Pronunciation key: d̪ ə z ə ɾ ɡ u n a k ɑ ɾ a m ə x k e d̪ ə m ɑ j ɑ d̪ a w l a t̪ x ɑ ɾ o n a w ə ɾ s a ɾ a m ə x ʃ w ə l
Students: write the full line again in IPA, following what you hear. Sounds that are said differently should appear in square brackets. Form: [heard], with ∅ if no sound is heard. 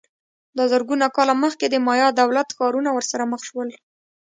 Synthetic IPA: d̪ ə z ə ɾ ɡ u n a k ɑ [l] a m ə x k e d̪ ə m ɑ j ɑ d̪ a w l a t̪ x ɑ ɾ [u] n a w ə ɾ s a ɾ a m ə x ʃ w ə l